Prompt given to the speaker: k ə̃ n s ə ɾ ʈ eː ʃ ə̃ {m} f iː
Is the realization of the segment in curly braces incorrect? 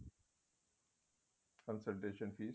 yes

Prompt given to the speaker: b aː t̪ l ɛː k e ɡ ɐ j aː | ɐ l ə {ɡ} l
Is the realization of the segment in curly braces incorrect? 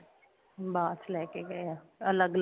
no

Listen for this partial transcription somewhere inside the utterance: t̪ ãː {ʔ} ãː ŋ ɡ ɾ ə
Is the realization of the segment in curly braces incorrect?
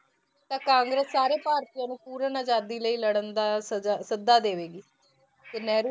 yes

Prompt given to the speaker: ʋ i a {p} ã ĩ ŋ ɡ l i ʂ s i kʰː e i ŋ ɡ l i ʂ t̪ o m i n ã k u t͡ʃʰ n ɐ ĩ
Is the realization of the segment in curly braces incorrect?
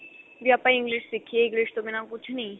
no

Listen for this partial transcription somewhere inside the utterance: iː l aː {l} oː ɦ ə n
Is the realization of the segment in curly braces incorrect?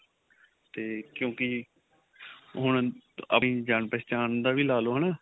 no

